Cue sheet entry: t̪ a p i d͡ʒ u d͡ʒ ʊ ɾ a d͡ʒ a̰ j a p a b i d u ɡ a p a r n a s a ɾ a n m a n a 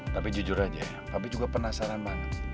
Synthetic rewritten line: t̪ a p i d͡ʒ u d͡ʒ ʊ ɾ a d͡ʒ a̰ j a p a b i d͡ʒ u ɡ a p ə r n a s a ɾ a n m a n a